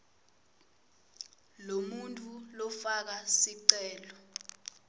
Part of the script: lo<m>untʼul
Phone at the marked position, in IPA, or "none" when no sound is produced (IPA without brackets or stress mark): m